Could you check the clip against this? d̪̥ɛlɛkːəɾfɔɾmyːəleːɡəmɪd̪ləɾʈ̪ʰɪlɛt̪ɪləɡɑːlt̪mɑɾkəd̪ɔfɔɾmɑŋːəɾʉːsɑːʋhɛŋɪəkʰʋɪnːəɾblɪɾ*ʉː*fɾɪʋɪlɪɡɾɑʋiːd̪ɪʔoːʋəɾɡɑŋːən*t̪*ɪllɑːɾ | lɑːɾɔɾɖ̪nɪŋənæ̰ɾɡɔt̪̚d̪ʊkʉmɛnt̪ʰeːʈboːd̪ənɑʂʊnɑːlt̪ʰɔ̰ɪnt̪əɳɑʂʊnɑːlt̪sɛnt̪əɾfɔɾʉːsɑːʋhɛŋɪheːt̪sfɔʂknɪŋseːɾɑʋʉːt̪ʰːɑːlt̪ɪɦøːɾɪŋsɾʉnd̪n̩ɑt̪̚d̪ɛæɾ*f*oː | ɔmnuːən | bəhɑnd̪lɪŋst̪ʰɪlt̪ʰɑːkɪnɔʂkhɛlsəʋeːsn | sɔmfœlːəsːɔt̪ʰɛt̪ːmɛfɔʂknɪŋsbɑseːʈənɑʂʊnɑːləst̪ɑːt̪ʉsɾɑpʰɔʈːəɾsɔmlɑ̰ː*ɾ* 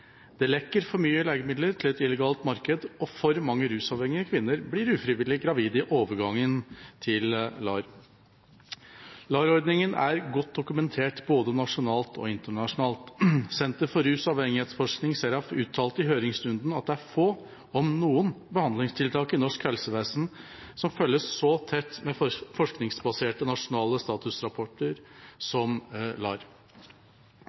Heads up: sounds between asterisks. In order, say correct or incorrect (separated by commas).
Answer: correct, incorrect, correct, correct